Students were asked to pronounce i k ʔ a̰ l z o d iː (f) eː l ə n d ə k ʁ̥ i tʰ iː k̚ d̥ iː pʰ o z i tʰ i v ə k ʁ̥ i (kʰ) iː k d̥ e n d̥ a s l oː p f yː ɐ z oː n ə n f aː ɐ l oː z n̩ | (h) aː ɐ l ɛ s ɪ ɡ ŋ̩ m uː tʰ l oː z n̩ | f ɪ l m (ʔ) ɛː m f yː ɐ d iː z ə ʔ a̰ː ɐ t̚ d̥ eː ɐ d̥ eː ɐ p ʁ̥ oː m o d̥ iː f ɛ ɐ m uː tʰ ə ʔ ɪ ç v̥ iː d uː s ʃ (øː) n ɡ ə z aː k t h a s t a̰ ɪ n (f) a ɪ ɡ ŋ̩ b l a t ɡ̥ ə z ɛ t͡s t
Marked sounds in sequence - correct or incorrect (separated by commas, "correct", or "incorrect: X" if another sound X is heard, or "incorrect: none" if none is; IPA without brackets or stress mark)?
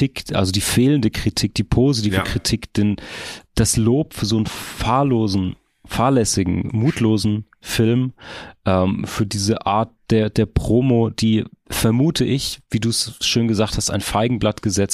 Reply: correct, incorrect: tʰ, incorrect: f, correct, correct, correct